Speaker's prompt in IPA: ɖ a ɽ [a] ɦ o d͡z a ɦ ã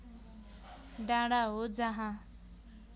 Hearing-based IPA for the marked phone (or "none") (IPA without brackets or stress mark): a